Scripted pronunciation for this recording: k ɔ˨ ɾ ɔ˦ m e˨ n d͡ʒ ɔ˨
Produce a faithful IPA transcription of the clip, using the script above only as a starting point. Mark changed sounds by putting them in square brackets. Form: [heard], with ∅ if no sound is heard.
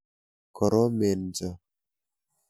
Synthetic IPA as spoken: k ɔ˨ ɾ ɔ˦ m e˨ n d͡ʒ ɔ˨